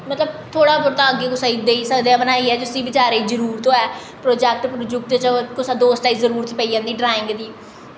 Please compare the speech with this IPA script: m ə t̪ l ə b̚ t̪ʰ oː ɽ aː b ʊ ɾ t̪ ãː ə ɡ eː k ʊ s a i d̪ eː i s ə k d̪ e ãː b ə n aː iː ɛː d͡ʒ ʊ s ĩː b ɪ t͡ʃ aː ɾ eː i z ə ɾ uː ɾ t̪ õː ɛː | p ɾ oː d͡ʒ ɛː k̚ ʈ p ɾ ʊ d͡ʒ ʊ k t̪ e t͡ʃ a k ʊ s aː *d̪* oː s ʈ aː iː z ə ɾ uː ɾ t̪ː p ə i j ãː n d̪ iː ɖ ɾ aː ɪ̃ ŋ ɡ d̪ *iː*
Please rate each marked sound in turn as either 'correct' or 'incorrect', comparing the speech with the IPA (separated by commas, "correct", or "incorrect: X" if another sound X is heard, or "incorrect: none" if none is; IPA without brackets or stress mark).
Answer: correct, correct